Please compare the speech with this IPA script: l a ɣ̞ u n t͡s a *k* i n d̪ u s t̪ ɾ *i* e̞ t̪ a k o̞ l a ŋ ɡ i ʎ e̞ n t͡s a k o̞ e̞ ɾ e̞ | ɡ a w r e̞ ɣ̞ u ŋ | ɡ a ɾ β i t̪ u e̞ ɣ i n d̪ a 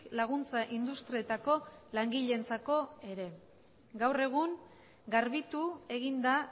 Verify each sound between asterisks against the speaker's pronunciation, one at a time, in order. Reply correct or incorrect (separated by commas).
incorrect, correct